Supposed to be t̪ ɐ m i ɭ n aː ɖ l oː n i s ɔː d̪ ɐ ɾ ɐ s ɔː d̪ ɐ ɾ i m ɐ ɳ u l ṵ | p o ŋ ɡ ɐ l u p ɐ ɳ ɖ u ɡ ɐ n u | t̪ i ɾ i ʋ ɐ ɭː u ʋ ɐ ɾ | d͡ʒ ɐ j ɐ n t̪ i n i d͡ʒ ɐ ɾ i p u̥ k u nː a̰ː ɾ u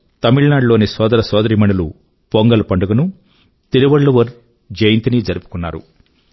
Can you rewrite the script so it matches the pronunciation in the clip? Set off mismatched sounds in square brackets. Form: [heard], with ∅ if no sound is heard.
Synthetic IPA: t̪ ɐ m i ɭ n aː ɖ l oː n i s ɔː d̪ ɐ ɾ ɐ s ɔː d̪ ɐ ɾ i m ɐ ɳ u l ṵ | p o ŋ ɡ ɐ l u p ɐ ɳ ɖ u ɡ ɐ n u | t̪ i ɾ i ʋ ɐ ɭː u ʋ ɐ ɾ | d͡ʒ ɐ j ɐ n t̪ i n i d͡ʒ ɐ ɾ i p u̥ k u nː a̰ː ɾ u